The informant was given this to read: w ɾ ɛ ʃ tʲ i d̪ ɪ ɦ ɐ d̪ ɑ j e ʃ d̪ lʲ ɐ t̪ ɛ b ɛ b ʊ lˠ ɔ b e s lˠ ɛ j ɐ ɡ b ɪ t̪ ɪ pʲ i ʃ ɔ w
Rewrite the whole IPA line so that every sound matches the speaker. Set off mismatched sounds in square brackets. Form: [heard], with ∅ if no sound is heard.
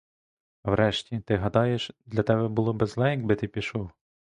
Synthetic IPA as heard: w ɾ ɛ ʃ tʲ i [t̪] ɪ ɦ ɐ d̪ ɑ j e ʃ d̪ lʲ ɐ t̪ ɛ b ɛ b ʊ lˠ ɔ b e [z] lˠ ɛ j ɐ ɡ b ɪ t̪ ɪ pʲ i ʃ ɔ w